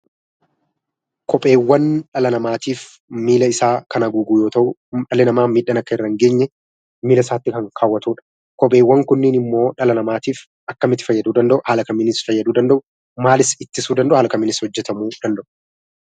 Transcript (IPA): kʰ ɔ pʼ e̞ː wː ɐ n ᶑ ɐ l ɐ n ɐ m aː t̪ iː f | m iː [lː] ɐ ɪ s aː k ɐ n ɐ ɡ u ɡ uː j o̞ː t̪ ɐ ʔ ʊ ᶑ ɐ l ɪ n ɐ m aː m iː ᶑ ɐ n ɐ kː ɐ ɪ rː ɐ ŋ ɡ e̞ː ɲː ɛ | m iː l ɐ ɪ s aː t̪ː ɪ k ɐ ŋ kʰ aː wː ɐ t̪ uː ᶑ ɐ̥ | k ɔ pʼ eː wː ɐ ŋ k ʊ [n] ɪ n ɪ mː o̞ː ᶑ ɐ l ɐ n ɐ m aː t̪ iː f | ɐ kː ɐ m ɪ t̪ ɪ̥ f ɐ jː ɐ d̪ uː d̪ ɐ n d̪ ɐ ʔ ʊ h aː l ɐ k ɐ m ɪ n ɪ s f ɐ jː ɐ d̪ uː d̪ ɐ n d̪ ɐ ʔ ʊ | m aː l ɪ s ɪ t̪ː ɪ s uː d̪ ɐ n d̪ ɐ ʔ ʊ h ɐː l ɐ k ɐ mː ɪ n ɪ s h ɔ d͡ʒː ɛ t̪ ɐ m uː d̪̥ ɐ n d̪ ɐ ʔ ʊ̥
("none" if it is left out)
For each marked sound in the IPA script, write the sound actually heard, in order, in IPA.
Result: l, nː

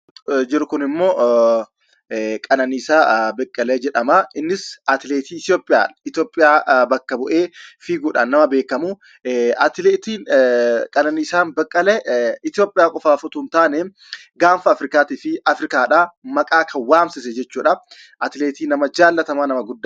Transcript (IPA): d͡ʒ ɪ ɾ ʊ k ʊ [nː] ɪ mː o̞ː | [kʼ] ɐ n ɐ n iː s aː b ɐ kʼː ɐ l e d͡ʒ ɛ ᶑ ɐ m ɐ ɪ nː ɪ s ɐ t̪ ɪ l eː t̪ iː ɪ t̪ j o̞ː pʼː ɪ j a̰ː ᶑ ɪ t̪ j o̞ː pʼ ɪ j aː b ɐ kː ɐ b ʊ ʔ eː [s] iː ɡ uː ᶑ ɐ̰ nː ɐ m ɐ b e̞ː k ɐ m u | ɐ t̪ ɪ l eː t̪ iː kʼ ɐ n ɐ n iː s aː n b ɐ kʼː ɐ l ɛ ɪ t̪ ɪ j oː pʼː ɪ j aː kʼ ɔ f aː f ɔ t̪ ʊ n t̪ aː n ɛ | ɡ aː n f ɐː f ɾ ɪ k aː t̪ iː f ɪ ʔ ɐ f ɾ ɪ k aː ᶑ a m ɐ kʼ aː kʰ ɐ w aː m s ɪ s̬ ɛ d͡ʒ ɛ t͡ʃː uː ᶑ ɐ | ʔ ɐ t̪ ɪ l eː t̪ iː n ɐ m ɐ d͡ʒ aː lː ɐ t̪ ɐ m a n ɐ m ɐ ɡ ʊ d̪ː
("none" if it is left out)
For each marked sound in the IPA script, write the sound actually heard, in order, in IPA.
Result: n, kʼ, f

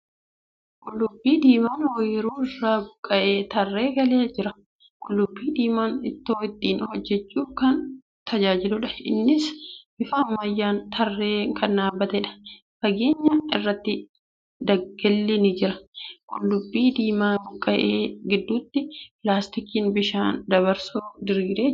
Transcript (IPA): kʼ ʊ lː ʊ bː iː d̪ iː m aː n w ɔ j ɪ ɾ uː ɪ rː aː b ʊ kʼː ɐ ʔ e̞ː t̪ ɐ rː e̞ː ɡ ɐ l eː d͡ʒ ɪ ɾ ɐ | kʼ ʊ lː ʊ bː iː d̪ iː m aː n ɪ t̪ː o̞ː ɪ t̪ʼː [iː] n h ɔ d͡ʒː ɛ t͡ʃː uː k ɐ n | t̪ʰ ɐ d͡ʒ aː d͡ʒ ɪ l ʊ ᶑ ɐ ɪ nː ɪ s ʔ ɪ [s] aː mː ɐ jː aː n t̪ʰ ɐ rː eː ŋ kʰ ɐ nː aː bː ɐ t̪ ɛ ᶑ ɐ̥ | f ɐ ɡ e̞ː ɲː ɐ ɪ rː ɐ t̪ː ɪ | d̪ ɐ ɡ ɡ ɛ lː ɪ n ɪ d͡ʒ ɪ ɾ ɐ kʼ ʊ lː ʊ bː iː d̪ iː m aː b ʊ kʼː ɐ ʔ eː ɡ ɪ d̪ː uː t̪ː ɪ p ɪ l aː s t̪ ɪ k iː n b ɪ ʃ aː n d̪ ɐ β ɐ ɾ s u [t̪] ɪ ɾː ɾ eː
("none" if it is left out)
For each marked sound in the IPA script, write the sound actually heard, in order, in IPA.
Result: iː, f, d̪

